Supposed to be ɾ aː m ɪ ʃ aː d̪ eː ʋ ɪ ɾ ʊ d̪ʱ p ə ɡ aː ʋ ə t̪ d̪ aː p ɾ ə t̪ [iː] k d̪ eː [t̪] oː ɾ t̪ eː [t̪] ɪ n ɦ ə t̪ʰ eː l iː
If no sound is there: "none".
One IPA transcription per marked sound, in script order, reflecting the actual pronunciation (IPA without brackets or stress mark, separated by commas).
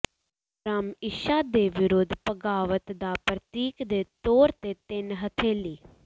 iː, t̪, t̪